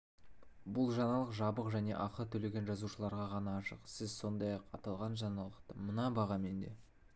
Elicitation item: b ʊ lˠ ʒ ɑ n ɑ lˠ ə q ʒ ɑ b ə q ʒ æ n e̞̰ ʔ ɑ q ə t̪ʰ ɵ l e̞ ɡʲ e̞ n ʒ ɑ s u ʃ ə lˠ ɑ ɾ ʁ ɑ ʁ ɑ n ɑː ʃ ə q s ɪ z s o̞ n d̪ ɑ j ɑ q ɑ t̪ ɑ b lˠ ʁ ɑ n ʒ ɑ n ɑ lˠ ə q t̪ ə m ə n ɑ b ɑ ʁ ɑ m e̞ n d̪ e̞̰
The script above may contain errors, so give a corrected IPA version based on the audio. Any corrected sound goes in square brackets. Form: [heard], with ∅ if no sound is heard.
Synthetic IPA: b ʊ lˠ ʒ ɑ n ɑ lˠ ə q ʒ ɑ b ə q ʒ æ n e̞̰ ʔ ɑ q ə t̪ʰ ɵ l e̞ ɡʲ e̞ n ʒ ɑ [z] u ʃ ə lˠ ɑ ɾ ʁ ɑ ʁ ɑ n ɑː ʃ ə q s ɪ z s o̞ n d̪ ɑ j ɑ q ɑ t̪ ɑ [∅] lˠ ʁ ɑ n ʒ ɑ n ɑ lˠ ə q t̪ ə m ə n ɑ b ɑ ʁ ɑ m e̞ n d̪ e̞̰